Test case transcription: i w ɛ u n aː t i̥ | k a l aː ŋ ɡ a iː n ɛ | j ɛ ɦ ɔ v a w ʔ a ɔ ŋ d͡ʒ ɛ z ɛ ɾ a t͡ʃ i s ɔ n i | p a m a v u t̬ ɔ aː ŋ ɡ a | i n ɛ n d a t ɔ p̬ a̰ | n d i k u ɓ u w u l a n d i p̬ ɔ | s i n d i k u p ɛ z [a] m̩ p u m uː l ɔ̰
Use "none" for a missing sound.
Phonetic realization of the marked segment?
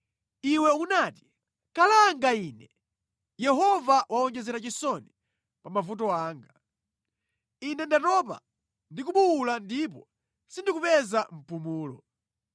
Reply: a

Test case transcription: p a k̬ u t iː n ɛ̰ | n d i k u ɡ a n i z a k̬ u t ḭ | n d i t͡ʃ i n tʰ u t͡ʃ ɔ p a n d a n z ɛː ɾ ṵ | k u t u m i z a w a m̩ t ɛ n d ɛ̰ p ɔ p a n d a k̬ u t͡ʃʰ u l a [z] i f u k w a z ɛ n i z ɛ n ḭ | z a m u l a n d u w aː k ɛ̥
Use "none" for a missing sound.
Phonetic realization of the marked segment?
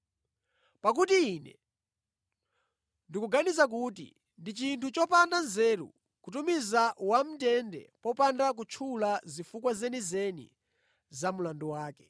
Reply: z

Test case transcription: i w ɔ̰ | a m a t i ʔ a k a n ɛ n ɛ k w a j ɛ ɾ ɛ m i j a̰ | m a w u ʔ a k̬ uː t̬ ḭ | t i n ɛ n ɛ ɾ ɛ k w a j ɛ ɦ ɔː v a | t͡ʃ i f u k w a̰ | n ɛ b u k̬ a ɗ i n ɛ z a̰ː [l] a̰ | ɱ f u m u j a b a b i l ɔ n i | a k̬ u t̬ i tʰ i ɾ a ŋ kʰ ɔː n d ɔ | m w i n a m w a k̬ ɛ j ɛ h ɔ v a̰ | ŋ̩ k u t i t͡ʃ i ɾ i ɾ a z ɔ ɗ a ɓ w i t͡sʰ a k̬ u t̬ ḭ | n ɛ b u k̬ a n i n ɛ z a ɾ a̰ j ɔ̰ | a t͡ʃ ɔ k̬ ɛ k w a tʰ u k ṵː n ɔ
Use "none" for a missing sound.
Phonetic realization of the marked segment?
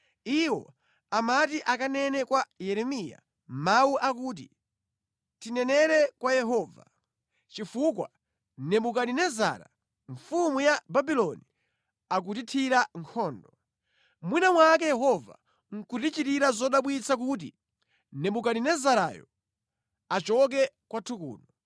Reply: ɾ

